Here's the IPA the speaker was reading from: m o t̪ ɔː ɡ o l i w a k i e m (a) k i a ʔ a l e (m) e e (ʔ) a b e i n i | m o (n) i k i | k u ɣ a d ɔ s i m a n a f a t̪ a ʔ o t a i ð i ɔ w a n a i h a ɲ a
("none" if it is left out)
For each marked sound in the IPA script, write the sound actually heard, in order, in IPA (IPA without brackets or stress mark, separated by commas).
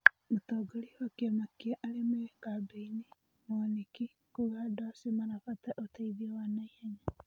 a, m, k, n